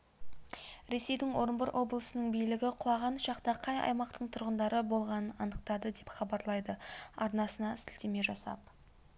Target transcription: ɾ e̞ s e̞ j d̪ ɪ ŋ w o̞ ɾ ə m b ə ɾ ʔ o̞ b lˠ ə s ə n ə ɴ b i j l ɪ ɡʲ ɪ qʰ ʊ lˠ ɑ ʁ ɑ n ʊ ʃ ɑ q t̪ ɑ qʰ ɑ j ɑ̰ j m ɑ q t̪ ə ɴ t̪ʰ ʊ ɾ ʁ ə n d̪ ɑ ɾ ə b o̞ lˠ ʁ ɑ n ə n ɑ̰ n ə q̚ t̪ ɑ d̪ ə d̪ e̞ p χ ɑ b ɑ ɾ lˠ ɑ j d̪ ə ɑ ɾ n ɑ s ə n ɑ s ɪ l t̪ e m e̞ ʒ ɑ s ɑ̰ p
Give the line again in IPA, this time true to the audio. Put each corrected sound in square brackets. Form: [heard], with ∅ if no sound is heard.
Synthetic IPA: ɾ e̞ s e̞ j d̪ ɪ ŋ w o̞ ɾ ə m b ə ɾ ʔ o̞ b lˠ ə s ə n ə ɴ b i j l ɪ ɡʲ ɪ qʰ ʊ lˠ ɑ ʁ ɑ n ʊ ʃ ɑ q t̪ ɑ qʰ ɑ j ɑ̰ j m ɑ q t̪ ə ɴ t̪ʰ ʊ ɾ ʁ ə n d̪ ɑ ɾ ə b o̞ lˠ ʁ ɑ n ə n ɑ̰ n ə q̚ t̪ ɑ d̪ ə d̪ e̞ p χ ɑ b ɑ ɾ lˠ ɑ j d̪ ə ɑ ɾ n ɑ s ə n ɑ s ɪ l t̪ e m e̞ ʒ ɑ s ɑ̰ p